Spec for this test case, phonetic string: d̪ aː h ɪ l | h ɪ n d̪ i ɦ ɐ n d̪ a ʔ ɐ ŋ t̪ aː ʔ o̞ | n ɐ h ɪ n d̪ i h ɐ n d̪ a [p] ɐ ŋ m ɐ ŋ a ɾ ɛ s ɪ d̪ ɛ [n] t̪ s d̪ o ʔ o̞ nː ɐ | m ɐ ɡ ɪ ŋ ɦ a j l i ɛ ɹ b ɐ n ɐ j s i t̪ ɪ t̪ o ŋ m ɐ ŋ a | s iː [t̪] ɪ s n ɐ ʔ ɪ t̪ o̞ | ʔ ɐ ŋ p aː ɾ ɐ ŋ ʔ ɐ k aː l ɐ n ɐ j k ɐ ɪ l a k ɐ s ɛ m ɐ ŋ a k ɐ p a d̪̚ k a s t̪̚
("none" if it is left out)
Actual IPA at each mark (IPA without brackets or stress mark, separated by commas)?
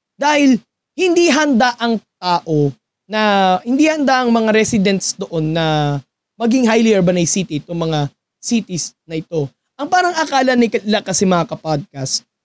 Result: ʔ, n, t̪